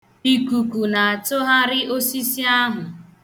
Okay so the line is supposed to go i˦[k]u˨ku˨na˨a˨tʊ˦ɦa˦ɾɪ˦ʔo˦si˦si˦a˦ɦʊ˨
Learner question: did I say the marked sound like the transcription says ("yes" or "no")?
yes